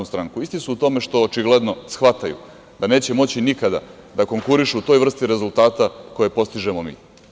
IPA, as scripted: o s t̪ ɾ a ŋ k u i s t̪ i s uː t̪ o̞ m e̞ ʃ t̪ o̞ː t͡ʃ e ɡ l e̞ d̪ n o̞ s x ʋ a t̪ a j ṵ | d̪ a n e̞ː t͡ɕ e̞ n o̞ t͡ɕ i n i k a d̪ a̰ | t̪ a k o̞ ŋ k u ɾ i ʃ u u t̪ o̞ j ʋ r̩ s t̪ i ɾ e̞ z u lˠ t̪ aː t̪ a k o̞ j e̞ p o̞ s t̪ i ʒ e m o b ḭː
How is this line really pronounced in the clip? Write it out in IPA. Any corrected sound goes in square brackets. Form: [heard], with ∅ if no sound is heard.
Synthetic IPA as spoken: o s t̪ ɾ a ŋ k u i s t̪ i s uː t̪ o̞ m e̞ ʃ t̪ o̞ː t͡ʃ [i] ɡ l e̞ d̪ n o̞ s x ʋ a t̪ a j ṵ | d̪ a n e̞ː t͡ɕ e̞ [m] o̞ t͡ɕ i n i k a d̪ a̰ | [d̪] a k o̞ ŋ k u ɾ i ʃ u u t̪ o̞ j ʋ r̩ s t̪ i ɾ e̞ z u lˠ t̪ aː t̪ a k o̞ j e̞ p o̞ s t̪ i ʒ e m o [m] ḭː